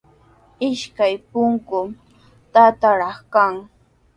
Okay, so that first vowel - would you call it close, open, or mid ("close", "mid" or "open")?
close